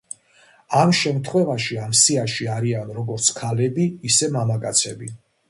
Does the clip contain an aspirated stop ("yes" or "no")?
yes